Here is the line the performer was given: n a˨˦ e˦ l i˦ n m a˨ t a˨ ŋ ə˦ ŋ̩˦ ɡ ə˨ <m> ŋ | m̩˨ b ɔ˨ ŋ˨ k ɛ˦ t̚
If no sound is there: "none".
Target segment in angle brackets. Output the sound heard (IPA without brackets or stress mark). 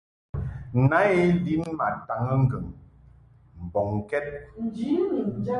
none